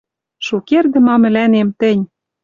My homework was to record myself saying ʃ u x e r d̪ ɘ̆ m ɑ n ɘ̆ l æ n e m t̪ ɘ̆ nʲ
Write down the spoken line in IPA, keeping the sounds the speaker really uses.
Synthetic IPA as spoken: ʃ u k e r d̪ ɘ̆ m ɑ m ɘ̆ l æ n e m t̪ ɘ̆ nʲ

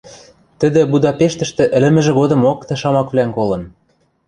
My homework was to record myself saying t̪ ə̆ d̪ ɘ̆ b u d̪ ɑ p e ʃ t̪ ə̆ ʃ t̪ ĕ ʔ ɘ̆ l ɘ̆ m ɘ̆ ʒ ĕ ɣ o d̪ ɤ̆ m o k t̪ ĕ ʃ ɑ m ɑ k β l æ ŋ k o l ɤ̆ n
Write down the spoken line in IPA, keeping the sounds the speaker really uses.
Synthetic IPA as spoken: t̪ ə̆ d̪ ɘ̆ b u d̪ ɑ p e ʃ t̪ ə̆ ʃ t̪ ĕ ʔ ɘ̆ l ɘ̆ m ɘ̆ ʒ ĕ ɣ o d̪ ɤ̆ m o k t̪ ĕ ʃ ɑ m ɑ k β l æ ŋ k o l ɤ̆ n

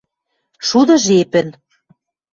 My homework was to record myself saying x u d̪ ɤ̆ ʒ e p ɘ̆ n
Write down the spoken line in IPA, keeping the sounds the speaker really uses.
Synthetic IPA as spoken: ʃ u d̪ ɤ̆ ʒ e p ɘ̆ n

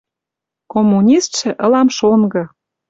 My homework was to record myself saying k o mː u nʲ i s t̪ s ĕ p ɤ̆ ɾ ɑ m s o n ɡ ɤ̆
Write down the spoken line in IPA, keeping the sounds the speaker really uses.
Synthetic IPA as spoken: k o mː u nʲ i s t̪ ʃ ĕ ʔ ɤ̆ l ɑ m ʃ o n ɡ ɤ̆

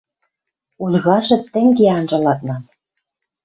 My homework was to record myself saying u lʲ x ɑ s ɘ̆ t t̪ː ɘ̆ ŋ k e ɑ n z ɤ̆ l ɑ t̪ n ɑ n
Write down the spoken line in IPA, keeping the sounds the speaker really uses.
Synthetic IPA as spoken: u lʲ ɣ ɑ ʃ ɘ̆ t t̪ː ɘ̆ ŋ ɡ e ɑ n ʒ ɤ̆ l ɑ t̪ n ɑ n

